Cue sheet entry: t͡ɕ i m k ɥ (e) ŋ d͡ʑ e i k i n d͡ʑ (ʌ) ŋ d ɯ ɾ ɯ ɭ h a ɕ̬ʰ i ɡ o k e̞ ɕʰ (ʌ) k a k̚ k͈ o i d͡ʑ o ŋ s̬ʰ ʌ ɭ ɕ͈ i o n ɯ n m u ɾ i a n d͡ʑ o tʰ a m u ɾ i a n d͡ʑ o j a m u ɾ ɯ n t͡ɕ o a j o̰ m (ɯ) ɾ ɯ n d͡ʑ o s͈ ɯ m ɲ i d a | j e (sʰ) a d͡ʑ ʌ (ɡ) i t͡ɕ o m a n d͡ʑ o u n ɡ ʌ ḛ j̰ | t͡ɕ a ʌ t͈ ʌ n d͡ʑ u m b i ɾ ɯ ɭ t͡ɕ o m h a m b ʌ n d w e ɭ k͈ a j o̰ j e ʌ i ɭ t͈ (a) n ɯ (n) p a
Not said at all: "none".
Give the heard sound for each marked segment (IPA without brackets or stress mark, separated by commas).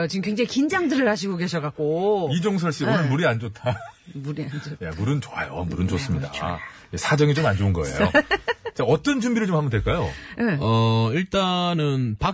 e, a, ʌ, u, sʰ, ŋ, a, n